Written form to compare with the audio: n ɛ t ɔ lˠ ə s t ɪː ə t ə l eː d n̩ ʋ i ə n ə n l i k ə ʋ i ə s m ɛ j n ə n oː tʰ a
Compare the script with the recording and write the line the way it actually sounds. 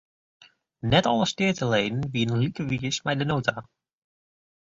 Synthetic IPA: n ɛ t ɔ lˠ ə s t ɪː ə t ə l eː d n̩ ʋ i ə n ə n l i k ə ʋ i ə s m ɛ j d ə n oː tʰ a